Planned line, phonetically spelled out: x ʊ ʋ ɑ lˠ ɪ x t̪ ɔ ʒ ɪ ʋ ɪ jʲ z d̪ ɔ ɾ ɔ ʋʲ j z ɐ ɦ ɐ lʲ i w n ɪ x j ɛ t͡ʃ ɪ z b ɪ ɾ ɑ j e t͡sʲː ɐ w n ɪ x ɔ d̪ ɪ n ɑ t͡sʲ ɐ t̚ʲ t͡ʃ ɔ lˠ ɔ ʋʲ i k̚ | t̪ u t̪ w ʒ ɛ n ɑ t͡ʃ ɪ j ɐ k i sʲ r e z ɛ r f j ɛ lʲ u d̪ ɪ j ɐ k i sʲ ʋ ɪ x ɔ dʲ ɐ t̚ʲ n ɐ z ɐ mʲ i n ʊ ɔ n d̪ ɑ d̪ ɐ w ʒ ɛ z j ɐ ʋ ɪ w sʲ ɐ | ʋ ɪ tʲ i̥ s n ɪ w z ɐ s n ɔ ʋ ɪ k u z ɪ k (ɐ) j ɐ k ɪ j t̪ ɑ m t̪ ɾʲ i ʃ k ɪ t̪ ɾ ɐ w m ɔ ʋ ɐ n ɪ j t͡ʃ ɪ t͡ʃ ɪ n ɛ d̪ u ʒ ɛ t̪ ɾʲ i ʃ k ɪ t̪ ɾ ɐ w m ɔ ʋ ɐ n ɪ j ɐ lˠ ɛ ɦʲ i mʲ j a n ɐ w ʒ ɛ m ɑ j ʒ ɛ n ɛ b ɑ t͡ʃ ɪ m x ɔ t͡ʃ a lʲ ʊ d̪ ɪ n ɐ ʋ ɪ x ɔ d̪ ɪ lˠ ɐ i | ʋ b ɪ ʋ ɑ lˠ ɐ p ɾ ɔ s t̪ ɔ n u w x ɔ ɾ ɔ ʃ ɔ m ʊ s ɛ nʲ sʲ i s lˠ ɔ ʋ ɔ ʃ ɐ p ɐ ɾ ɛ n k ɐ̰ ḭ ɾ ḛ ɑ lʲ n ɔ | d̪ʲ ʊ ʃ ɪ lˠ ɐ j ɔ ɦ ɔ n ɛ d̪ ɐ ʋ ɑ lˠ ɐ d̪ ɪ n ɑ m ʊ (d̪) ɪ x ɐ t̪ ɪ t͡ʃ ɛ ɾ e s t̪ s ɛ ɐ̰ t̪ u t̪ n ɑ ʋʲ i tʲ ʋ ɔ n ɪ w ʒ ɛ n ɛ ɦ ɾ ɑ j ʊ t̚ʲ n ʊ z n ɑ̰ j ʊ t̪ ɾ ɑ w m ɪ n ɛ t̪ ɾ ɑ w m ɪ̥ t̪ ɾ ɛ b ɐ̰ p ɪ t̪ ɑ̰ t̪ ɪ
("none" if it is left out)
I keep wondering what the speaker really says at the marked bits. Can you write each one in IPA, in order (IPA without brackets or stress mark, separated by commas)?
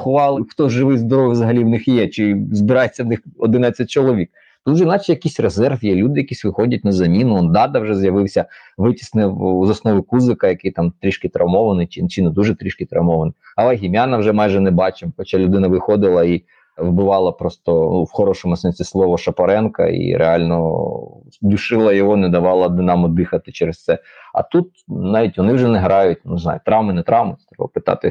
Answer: ɐ, d̪